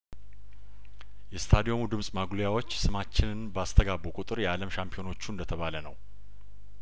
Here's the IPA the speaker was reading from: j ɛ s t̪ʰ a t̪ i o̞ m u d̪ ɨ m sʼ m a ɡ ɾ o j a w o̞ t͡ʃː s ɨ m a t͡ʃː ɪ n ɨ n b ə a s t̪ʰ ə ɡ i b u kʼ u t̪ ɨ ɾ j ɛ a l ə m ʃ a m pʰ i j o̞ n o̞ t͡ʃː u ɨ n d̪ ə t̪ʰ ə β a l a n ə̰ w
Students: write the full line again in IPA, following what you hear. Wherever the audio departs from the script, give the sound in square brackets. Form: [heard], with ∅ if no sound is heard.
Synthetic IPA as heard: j ɛ s t̪ʰ a [d̪] i o̞ m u d̪ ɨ m sʼ m a ɡ [l] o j a w o̞ t͡ʃː s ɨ m a t͡ʃː ɪ n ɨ n b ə a s t̪ʰ ə ɡ [a] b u kʼ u [t̪ʼ] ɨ ɾ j ɛ a l ə m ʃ a m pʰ i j o̞ n o̞ t͡ʃː u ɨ n d̪ ə t̪ʰ ə β a l [ə] n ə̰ w